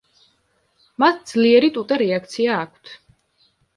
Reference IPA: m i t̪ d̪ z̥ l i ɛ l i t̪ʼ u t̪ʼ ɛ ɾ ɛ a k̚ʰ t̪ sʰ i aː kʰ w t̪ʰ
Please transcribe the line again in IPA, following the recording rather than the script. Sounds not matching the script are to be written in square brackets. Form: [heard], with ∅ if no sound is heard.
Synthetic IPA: m [a] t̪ d̪ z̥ l i ɛ [ɾ] i t̪ʼ u t̪ʼ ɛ ɾ ɛ a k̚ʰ t̪ sʰ i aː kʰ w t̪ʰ